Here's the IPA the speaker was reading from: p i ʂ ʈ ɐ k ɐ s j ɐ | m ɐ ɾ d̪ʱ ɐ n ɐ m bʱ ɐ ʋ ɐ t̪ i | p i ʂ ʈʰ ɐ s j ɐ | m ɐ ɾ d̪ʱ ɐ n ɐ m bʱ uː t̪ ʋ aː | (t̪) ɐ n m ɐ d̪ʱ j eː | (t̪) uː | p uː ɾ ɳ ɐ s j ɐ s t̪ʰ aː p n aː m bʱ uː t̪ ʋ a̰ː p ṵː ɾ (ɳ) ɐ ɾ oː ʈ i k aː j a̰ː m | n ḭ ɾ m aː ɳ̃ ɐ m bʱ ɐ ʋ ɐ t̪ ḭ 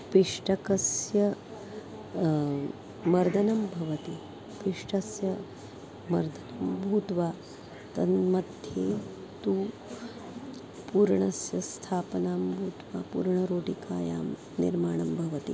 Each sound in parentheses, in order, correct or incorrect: correct, correct, correct

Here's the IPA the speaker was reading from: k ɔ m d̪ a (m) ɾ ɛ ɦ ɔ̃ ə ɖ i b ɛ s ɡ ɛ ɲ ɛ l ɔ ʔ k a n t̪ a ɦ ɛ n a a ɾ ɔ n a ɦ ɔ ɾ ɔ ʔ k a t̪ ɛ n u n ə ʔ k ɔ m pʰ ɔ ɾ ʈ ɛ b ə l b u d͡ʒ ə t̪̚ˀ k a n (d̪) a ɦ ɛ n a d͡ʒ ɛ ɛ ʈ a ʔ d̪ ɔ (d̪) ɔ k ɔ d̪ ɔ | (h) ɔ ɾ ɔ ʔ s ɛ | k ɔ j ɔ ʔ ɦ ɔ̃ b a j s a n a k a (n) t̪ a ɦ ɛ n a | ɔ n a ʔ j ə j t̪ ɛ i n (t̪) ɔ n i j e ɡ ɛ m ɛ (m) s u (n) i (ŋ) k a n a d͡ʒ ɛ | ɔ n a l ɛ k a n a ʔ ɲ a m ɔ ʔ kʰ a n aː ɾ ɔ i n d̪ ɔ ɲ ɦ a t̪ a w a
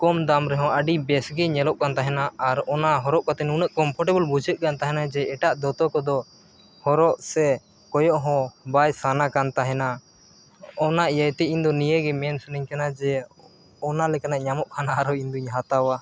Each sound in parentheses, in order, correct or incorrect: correct, incorrect, incorrect, correct, correct, incorrect, incorrect, correct, incorrect

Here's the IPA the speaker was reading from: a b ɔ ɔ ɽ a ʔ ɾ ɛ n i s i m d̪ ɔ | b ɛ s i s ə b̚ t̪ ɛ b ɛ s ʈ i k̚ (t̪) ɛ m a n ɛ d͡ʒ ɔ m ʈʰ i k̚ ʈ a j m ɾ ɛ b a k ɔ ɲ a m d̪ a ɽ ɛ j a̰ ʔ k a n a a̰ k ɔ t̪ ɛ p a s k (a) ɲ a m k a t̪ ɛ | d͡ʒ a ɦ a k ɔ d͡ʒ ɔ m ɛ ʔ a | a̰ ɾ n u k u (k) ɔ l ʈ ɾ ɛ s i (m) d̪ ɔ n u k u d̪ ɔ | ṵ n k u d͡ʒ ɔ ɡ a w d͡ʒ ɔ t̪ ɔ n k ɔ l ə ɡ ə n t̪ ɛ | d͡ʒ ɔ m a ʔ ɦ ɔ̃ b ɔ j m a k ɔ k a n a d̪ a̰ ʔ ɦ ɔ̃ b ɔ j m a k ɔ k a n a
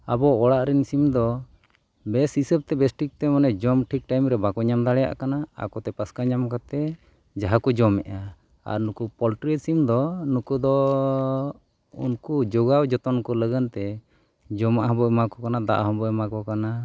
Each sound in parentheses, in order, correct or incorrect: correct, correct, incorrect, correct

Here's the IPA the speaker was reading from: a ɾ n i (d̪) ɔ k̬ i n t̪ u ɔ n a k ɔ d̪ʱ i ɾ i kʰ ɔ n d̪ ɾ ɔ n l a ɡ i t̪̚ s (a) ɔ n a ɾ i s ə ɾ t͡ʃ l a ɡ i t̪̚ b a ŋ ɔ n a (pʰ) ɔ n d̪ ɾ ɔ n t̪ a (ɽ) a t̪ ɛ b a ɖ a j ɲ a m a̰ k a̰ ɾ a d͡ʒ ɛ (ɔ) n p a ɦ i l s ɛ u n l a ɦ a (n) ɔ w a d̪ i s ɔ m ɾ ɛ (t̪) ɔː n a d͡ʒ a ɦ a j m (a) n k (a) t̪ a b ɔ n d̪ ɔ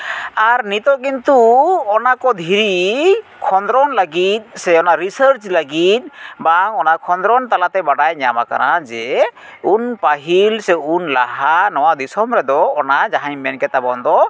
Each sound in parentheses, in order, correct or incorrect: incorrect, incorrect, incorrect, incorrect, incorrect, correct, incorrect, incorrect, incorrect

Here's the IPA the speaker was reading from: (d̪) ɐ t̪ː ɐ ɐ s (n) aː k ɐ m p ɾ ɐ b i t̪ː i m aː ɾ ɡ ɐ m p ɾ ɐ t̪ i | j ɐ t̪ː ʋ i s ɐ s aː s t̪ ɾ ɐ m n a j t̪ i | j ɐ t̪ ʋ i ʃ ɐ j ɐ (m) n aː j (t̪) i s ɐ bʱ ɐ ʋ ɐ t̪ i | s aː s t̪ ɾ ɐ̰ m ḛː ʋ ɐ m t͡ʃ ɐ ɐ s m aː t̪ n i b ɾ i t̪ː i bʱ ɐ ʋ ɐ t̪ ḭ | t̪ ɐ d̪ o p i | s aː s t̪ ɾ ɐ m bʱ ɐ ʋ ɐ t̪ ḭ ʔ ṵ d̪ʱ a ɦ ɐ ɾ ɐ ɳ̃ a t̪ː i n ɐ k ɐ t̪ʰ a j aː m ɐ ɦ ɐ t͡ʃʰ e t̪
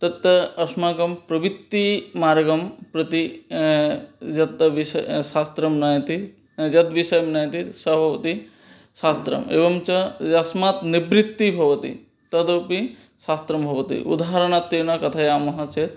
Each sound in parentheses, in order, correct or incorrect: incorrect, incorrect, correct, correct

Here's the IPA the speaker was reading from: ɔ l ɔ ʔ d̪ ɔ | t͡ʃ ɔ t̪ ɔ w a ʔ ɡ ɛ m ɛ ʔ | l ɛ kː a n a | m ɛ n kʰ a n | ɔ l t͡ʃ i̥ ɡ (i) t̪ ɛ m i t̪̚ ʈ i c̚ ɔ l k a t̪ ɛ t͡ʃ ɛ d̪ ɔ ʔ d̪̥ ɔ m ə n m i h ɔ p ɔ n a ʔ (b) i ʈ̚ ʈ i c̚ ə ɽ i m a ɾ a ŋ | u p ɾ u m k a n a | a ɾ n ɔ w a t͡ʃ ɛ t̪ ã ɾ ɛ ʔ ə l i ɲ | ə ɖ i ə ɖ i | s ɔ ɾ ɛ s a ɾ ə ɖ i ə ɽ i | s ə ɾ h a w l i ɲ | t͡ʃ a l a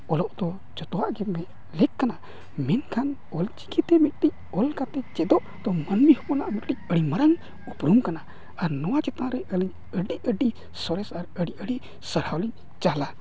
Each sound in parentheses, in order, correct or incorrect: correct, incorrect

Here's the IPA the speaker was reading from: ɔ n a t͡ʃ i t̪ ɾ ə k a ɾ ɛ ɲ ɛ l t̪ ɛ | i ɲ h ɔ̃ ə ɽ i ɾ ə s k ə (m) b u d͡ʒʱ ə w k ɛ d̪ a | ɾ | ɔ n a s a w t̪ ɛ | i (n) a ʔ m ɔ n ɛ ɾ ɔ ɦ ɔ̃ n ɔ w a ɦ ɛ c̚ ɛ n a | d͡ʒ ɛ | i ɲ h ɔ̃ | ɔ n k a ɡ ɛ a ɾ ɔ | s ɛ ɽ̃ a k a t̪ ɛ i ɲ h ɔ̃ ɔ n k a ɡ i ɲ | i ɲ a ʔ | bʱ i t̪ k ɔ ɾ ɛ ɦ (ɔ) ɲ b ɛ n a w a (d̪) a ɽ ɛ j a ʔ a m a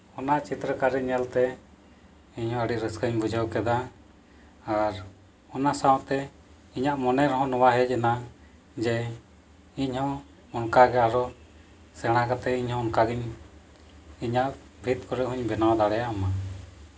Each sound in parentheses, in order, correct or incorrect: incorrect, incorrect, incorrect, correct

